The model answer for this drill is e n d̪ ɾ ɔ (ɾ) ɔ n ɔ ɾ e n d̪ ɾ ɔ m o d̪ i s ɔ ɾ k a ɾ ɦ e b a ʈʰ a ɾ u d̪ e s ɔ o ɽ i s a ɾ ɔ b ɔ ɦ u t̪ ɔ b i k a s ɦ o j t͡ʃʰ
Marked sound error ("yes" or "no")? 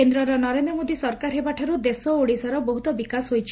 no